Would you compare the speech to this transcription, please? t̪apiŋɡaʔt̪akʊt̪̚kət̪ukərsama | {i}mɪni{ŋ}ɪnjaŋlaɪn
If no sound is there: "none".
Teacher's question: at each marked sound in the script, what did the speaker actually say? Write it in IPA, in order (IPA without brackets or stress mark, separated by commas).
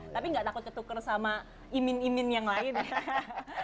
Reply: i, m